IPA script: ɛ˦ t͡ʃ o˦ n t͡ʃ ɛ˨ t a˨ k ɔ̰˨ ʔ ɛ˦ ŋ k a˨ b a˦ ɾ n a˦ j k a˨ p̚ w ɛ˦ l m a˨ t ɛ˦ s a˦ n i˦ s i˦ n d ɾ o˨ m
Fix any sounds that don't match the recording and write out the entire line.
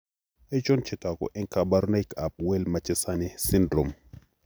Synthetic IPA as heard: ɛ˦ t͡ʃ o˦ n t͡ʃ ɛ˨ t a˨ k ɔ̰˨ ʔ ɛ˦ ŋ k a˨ b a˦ ɾ n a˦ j k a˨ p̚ w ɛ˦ l m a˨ t͡ʃ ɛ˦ s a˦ n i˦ s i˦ n d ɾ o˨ m